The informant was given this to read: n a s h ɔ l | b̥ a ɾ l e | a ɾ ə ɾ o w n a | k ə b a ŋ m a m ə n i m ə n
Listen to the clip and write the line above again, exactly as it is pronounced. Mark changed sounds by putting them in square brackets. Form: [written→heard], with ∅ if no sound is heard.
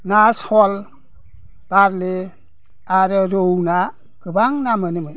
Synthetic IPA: n a s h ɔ l | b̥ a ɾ l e | a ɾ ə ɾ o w n a | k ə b a ŋ [m→n] a m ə n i m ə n